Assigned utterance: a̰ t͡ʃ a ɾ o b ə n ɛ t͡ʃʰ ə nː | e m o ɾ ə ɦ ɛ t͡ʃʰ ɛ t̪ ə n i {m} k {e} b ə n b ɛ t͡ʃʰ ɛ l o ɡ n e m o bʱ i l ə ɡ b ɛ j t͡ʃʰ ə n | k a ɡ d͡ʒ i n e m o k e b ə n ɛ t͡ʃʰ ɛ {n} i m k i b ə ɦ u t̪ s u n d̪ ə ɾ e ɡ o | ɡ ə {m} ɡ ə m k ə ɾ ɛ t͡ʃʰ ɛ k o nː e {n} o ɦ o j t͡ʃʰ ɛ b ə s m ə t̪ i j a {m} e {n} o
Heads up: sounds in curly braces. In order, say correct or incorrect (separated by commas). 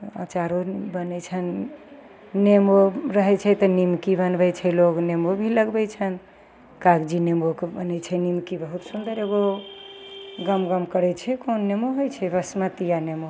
correct, incorrect, correct, correct, incorrect, incorrect, incorrect